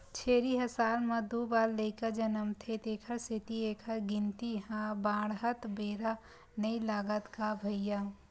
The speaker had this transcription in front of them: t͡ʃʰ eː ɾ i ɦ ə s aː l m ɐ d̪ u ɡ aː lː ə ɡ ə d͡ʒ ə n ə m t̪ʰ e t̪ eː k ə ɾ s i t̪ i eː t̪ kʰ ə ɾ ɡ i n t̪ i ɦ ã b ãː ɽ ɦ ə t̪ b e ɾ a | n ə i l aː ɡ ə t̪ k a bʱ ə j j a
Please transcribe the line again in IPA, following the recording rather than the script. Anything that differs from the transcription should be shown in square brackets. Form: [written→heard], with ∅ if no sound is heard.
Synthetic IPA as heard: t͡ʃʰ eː ɾ i ɦ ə s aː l m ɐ d̪ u [ɡ→b] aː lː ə [ɡ→k] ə d͡ʒ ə n ə m t̪ʰ e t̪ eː [k→kʰ] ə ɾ s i t̪ i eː [t̪→∅] kʰ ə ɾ ɡ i n t̪ i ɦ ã b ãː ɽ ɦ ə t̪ b e ɾ a | n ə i l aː ɡ ə t̪ k a bʱ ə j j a